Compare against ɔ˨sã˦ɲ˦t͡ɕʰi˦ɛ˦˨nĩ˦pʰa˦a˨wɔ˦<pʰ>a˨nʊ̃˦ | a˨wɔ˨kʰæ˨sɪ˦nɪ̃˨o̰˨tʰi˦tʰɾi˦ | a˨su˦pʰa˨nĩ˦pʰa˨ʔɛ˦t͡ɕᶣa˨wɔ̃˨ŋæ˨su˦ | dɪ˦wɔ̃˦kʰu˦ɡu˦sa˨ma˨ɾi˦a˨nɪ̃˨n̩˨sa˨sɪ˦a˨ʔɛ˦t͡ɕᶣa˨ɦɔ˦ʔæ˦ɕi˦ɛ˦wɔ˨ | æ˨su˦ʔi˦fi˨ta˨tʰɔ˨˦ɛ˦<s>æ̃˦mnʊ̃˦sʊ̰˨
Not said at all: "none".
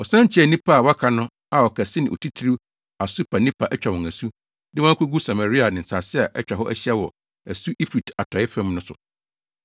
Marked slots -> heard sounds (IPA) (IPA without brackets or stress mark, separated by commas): kʰ, f